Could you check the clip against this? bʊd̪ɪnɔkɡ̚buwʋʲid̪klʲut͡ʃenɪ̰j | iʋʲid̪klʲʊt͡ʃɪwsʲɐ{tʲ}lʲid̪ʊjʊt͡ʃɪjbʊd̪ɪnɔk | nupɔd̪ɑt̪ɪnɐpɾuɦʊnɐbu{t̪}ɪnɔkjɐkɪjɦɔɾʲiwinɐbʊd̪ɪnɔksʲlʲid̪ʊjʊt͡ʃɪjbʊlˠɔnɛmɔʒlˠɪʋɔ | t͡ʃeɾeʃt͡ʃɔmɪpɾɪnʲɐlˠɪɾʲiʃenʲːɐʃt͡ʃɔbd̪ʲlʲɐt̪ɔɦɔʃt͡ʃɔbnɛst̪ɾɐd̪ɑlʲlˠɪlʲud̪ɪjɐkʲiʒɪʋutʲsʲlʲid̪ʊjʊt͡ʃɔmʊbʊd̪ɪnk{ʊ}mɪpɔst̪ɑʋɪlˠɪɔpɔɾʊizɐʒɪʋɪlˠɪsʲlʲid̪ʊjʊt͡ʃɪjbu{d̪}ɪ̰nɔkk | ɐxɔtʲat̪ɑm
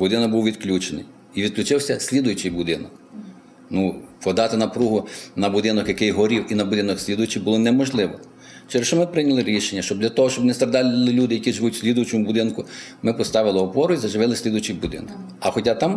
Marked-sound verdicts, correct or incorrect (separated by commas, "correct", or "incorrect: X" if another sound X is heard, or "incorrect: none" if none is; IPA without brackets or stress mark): incorrect: sʲ, incorrect: d̪, correct, correct